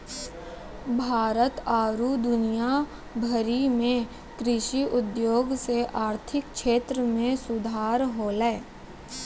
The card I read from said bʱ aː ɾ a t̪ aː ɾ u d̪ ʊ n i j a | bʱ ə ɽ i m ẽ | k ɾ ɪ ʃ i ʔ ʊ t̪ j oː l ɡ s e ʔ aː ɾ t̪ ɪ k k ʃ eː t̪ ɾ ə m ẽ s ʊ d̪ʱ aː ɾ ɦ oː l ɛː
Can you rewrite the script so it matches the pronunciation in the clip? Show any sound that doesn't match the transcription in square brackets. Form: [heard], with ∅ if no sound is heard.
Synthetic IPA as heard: bʱ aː ɾ [ə] t̪ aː ɾ u d̪ ʊ n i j a | bʱ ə [ɾ] i m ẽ | k ɾ ɪ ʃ i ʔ ʊ [d̪] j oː [∅] ɡ s e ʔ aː ɾ [t̪ʰ] ɪ k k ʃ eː t̪ ɾ ə m ẽ s ʊ d̪ʱ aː ɾ ɦ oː l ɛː